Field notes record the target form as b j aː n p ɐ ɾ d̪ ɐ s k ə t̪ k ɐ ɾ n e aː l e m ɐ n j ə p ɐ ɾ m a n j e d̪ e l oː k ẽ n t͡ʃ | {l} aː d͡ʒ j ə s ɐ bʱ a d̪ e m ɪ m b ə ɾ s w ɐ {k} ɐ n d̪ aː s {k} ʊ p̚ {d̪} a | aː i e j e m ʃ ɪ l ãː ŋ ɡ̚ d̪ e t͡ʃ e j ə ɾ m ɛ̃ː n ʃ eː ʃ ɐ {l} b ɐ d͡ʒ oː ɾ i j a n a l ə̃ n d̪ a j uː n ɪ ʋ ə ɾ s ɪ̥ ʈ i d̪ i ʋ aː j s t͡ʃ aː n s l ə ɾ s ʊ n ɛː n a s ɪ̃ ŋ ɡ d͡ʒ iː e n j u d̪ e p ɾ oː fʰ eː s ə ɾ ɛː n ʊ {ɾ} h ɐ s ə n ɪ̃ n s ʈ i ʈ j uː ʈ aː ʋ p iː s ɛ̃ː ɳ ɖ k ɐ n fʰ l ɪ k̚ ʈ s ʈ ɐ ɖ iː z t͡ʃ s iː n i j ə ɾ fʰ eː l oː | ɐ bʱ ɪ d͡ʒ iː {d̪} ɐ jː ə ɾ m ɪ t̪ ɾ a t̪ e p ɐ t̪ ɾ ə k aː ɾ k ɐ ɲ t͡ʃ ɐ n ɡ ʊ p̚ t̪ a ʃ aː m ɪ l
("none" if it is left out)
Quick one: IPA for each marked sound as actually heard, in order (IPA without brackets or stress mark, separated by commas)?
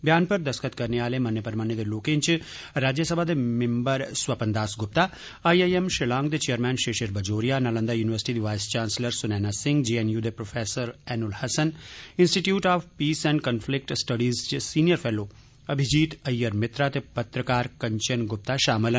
ɾ, p, ɡ, t̪, ɾ, l, t̪